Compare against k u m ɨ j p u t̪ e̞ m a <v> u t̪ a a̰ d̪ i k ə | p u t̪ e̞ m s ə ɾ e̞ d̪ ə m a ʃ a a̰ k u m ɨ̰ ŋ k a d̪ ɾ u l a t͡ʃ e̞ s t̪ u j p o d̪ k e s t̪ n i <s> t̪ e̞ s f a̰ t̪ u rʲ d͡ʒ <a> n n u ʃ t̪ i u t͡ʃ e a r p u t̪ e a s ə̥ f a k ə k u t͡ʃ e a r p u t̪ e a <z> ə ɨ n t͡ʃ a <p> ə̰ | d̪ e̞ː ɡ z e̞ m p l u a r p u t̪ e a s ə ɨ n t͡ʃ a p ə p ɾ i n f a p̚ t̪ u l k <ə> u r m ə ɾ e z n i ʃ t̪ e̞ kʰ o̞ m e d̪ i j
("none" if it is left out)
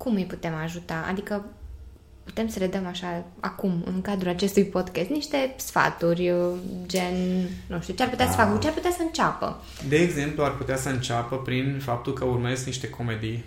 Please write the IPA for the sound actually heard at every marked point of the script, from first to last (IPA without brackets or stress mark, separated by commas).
ʒ, ʃ, e, s, p, ə